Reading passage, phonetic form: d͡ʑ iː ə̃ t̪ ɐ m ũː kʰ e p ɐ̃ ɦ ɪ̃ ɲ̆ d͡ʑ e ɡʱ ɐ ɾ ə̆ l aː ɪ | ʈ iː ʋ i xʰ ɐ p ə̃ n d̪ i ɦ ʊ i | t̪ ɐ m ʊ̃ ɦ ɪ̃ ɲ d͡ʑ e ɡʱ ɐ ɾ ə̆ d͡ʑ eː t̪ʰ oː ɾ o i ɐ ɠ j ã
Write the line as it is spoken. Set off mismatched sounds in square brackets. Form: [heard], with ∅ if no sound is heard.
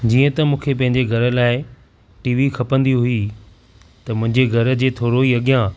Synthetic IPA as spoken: d͡ʑ iː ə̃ t̪ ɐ m ũː kʰ e p ɐ̃ ɦ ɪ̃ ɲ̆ d͡ʑ e ɡʱ ɐ ɾ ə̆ l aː ɪ | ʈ iː ʋ i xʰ ɐ p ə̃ n d̪ i ɦ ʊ i | t̪ ɐ m ʊ̃ ɦ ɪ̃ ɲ d͡ʑ e ɡʱ ɐ ɾ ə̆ d͡ʑ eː t̪ʰ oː ɾ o i ɐ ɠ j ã